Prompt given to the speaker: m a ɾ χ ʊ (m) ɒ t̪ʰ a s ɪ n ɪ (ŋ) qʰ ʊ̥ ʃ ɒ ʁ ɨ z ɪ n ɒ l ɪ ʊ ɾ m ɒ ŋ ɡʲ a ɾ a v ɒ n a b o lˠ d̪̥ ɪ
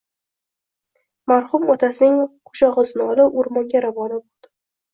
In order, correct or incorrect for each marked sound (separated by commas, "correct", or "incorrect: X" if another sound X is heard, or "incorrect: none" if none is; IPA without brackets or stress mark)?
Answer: correct, correct